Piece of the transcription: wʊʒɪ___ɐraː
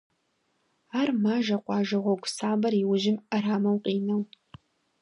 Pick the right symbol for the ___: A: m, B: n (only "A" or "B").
A